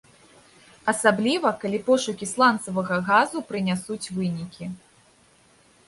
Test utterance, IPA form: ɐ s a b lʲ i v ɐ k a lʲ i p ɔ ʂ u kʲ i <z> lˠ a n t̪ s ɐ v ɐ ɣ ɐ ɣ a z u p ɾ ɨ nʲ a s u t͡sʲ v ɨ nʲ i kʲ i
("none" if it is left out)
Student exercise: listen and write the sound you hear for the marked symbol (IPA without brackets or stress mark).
s